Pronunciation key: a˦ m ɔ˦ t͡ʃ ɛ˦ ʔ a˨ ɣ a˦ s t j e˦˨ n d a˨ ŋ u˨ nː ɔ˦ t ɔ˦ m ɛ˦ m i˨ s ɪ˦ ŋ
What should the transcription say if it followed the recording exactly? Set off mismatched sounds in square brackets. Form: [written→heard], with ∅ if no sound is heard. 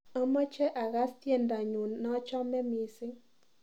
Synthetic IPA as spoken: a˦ m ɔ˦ t͡ʃ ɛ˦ ʔ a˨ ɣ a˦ s t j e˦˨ n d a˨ [ŋ→ɲ] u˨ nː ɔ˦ [t→t͡ʃ] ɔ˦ m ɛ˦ m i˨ s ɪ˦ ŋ